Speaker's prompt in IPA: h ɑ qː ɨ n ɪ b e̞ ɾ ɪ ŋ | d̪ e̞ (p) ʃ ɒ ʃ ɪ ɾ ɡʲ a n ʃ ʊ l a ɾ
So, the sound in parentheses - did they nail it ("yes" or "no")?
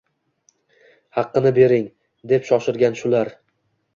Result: yes